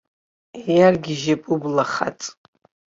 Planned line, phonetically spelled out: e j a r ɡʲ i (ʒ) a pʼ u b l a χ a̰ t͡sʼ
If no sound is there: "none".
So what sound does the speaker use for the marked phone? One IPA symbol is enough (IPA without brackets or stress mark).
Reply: ʒ